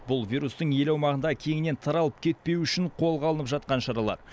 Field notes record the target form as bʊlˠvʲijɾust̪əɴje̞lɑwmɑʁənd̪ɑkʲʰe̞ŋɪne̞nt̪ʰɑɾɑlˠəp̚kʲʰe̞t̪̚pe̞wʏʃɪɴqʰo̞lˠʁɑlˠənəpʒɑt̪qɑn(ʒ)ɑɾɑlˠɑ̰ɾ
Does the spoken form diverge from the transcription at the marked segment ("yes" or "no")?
yes